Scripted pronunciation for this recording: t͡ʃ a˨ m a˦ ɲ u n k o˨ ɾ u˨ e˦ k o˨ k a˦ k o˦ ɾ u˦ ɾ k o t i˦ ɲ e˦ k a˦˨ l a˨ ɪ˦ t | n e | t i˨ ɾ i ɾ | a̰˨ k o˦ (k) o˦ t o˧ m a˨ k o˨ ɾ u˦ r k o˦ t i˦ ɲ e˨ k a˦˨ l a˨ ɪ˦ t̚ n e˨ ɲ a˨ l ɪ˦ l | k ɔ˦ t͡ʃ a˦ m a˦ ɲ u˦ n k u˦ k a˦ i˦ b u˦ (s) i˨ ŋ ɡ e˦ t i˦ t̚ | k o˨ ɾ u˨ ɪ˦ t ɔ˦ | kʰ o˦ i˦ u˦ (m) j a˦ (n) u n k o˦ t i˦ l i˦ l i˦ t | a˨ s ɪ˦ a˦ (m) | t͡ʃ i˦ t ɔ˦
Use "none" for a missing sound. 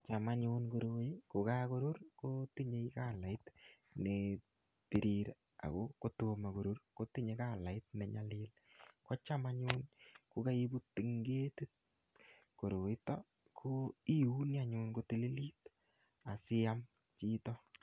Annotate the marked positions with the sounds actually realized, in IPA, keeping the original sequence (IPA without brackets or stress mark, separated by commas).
k, t, n, ɲ, m